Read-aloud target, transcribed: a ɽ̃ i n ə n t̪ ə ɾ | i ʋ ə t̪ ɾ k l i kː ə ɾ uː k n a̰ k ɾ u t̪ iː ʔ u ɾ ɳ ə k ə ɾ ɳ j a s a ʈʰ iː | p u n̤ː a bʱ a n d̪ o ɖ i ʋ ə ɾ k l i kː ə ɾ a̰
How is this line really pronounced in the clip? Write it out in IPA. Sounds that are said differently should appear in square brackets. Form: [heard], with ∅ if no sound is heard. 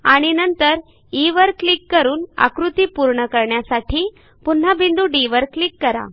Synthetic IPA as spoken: a ɽ̃ i n ə n t̪ ə ɾ | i ʋ ə [∅] ɾ k l i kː ə ɾ uː [∅] n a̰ k ɾ u t̪ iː [p] u ɾ ɳ ə k ə ɾ ɳ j a s a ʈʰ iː | p u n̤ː a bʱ [i] n d̪ [u] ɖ i ʋ ə ɾ k l i kː ə ɾ a̰